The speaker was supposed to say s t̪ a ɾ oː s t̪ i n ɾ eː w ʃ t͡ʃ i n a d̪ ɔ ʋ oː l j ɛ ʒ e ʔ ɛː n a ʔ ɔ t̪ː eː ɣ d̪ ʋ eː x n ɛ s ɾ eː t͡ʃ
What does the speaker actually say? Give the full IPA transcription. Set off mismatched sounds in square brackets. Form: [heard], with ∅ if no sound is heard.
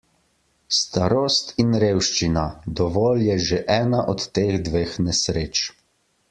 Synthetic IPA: s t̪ a ɾ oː s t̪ i n ɾ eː w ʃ t͡ʃ i n a d̪ ɔ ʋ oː l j ɛ ʒ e ʔ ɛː n a ʔ ɔ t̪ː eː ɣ d̪ ʋ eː x n ɛ s ɾ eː t͡ʃ